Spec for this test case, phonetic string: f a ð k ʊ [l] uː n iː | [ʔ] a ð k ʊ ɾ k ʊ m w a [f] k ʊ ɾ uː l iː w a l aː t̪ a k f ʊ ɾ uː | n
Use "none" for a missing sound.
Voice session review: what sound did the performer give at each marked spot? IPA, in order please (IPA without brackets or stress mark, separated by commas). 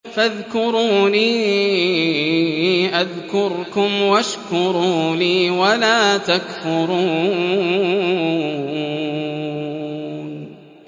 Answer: ɾ, ʔ, ʃ